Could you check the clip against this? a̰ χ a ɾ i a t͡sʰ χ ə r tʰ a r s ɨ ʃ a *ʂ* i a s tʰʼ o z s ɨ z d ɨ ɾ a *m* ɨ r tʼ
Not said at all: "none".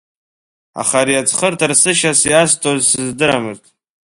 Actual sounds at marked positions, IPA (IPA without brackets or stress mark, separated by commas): s, m